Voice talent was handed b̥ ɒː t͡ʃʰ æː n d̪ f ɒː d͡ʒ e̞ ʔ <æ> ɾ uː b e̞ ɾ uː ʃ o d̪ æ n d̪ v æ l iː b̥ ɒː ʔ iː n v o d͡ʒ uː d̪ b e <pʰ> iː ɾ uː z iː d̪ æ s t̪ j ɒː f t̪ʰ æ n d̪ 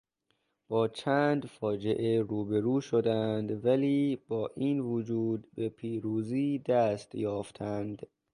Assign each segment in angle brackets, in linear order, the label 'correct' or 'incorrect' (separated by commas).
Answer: incorrect, correct